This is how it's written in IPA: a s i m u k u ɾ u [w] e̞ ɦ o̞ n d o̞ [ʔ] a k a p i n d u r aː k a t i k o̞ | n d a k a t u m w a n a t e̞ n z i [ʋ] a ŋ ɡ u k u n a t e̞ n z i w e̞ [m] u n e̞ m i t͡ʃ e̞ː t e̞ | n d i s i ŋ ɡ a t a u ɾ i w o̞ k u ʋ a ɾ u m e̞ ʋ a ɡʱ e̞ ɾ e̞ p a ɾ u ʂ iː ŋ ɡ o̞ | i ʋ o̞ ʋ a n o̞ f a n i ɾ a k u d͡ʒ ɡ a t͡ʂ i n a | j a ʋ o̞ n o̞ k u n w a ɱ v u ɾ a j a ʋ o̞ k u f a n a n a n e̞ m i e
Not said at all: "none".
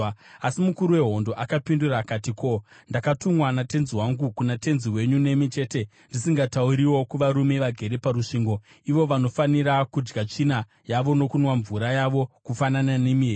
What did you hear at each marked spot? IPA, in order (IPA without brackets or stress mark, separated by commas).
w, ʔ, w, ɲ